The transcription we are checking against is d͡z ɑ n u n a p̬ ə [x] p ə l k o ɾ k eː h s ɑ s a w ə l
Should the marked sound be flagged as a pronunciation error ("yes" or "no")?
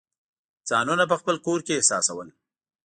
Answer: no